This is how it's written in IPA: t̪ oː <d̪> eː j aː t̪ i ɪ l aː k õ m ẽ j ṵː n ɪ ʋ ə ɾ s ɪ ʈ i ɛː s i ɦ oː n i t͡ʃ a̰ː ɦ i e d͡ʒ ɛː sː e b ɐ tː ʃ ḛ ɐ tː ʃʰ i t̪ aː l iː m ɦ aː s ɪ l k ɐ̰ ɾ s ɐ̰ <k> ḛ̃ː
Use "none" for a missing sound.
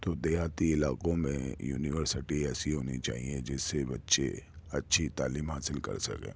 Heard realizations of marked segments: d̪, k

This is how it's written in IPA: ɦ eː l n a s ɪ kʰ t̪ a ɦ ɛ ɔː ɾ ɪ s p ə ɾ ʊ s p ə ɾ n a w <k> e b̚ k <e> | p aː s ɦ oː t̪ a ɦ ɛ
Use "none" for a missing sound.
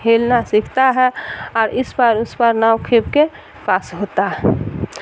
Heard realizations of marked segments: kʰ, e

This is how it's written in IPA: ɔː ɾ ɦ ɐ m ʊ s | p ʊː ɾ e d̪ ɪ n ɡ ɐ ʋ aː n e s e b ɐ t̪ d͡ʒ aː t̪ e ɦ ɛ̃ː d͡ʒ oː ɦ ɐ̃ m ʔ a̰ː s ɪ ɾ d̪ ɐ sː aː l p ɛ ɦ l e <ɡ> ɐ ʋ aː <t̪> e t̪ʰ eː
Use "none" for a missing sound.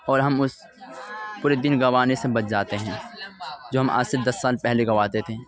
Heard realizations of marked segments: ɡ, t̪

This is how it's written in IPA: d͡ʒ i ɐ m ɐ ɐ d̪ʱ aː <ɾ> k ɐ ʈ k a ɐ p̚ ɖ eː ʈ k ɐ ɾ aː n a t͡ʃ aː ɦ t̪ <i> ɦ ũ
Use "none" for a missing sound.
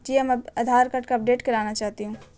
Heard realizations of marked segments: ɾ, i

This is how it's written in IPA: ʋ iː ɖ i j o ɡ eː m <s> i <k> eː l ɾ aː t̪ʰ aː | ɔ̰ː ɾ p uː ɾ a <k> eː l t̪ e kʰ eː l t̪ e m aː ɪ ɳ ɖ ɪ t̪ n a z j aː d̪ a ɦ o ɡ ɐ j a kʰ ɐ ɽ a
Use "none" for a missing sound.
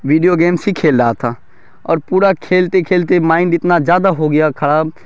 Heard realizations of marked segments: s, kʰ, kʰ

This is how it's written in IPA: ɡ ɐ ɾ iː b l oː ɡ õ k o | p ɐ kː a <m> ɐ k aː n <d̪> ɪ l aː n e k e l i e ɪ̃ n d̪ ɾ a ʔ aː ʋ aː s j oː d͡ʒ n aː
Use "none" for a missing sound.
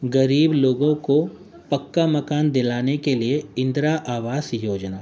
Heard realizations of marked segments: m, d̪

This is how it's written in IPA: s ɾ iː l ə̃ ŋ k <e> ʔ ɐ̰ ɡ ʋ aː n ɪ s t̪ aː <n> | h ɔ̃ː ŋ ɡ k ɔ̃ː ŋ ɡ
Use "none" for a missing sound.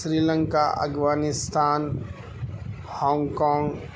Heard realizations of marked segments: a, n

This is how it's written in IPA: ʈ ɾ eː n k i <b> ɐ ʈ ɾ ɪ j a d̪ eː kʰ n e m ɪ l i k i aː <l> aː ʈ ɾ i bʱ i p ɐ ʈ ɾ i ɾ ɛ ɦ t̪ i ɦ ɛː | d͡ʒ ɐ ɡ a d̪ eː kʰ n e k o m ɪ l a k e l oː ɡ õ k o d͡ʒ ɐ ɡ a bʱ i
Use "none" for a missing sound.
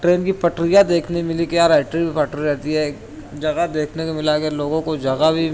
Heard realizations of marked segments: p, ɾ

